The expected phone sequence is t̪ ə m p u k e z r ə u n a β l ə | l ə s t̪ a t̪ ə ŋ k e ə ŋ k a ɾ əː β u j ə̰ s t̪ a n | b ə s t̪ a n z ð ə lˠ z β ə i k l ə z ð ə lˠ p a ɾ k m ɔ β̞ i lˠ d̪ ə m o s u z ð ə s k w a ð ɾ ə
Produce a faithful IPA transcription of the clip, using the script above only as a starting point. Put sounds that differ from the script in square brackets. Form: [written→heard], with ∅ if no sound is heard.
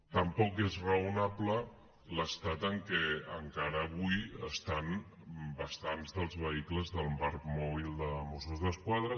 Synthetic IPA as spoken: t̪ ə m p [u→ɔ] k e z r ə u n a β l ə | l ə s t̪ a t̪ ə ŋ k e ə ŋ k a ɾ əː β u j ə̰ s t̪ a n | b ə s t̪ a n z ð ə lˠ z β ə i k l ə z ð ə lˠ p a ɾ k m ɔ β̞ i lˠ d̪ ə m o s u z ð ə s k w a ð ɾ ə